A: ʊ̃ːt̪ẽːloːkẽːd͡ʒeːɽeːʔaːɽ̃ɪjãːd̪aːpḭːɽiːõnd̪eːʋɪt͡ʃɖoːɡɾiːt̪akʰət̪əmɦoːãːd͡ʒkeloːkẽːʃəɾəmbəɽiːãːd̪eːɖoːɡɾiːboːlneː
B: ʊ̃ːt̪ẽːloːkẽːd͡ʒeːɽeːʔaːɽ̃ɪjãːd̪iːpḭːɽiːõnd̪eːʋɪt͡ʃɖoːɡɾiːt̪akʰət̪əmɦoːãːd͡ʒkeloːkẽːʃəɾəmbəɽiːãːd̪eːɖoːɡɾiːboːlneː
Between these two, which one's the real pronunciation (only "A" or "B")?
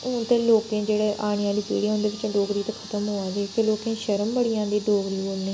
B